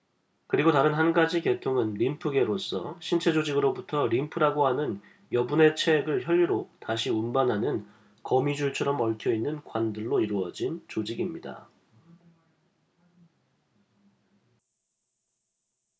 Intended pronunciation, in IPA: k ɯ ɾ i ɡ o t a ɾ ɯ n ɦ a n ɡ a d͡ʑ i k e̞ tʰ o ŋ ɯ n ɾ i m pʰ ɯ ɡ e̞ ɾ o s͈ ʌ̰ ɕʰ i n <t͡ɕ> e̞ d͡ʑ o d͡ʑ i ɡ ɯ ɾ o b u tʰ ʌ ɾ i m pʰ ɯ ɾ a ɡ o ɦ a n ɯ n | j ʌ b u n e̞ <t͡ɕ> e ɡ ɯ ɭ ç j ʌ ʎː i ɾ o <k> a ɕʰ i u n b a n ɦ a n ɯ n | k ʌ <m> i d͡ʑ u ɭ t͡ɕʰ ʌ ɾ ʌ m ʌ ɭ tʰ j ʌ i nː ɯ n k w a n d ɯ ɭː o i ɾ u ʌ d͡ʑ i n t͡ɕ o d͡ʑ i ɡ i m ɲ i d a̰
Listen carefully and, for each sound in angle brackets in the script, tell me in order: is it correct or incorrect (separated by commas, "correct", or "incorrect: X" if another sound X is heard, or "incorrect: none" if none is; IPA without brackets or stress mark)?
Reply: incorrect: t͡ɕʰ, incorrect: t͡ɕʰ, incorrect: t, correct